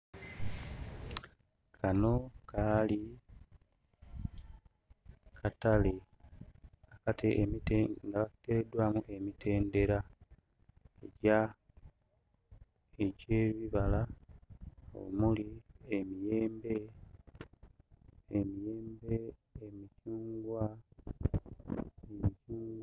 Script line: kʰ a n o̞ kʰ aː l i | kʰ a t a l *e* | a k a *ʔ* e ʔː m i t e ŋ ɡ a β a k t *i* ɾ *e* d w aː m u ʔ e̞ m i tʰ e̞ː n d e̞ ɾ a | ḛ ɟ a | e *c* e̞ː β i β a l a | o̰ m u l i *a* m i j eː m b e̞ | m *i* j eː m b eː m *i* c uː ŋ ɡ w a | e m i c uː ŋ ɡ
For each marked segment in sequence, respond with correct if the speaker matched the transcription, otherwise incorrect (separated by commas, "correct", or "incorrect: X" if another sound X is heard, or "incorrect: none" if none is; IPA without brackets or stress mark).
correct, incorrect: t, incorrect: e, correct, incorrect: ɟ, incorrect: e, correct, correct